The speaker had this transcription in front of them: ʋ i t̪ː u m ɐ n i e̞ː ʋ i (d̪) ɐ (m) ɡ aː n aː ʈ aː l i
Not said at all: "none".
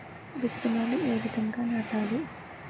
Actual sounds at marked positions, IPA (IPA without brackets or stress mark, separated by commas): d̪, ŋ